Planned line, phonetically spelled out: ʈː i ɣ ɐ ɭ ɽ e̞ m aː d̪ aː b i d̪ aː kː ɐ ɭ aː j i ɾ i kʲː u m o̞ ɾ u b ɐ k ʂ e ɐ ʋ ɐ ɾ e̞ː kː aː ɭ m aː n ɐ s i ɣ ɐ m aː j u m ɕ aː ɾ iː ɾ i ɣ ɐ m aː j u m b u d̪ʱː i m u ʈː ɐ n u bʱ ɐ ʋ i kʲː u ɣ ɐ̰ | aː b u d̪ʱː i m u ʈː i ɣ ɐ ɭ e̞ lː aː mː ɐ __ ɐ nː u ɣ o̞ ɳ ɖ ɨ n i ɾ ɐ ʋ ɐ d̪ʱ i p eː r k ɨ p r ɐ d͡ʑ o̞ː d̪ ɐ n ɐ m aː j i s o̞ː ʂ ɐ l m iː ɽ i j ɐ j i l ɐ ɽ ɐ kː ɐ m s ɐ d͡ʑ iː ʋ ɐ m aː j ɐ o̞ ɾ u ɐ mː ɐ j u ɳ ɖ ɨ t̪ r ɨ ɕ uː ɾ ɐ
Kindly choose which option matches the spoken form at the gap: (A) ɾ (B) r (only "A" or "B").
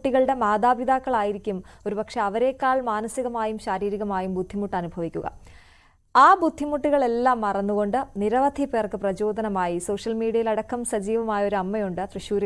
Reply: B